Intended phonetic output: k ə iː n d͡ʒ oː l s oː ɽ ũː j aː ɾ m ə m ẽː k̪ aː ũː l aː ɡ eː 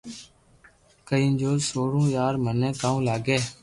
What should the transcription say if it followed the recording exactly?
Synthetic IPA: k ə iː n d͡ʒ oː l s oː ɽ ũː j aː ɾ m ə n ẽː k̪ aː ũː l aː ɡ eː